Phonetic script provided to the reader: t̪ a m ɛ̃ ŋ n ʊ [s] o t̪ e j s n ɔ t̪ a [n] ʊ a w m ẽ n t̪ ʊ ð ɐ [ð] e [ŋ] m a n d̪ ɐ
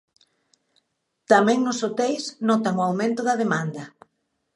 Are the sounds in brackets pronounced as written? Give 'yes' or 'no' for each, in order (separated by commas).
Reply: yes, no, yes, no